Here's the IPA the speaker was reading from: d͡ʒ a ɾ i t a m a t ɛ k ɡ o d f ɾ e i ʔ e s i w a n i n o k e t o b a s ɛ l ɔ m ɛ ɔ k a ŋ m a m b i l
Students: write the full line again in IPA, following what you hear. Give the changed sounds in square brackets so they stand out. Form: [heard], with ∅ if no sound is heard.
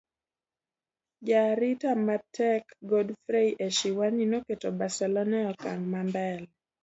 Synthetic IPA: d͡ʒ a ɾ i t a m a t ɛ k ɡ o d f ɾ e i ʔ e [ʃ] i w a n i n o k e t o b a s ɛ l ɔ [n] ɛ ɔ k a ŋ m a m b [ɛ] l